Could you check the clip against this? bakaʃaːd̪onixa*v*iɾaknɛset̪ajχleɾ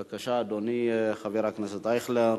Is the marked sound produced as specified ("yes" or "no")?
yes